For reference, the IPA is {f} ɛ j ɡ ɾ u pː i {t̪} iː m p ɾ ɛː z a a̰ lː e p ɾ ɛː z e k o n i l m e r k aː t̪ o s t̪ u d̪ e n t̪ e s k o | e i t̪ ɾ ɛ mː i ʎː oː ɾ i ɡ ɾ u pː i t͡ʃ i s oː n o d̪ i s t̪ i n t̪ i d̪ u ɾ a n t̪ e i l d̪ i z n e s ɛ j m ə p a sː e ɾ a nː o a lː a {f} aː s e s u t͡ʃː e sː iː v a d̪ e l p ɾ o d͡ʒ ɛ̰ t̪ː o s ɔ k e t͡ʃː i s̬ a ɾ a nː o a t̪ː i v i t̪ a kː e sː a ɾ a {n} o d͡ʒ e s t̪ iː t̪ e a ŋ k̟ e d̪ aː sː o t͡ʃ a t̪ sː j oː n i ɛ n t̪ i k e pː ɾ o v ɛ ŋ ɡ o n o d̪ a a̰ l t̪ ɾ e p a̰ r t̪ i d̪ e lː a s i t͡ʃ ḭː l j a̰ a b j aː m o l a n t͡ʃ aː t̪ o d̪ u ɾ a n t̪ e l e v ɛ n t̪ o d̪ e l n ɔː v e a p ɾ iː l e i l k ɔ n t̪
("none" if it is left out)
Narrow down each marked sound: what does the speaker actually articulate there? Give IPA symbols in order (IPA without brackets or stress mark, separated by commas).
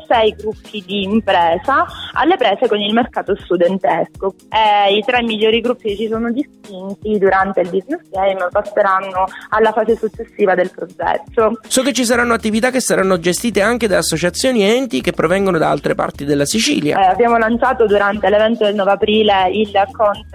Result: s, d̪, f, nː